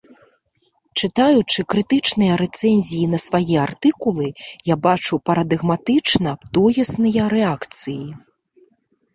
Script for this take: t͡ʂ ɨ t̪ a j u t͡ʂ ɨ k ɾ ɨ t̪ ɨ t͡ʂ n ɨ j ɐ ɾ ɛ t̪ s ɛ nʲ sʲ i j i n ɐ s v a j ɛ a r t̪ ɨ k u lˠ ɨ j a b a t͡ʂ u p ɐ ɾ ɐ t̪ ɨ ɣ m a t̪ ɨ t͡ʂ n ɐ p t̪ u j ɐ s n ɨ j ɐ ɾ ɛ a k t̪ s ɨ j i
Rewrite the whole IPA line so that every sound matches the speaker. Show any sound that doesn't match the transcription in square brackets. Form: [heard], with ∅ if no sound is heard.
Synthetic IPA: t͡ʂ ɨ t̪ a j u t͡ʂ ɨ k ɾ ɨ t̪ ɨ t͡ʂ n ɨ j ɐ ɾ ɛ t̪ s ɛ nʲ [zʲ] i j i n ɐ s v a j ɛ a r t̪ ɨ k u lˠ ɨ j a b a t͡ʂ u p ɐ ɾ ɐ [d̪] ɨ ɣ m a t̪ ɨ t͡ʂ n ɐ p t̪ [ɔ] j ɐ s n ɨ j ɐ ɾ ɛ a k t̪ s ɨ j i